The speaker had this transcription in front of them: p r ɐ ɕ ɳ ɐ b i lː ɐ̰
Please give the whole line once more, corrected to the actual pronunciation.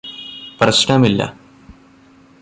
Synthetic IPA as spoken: p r ɐ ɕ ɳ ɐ m i lː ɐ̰